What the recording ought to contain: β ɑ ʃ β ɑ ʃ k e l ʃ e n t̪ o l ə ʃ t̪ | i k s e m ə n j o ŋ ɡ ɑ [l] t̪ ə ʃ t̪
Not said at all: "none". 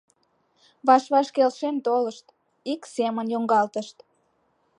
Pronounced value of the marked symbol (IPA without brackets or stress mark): l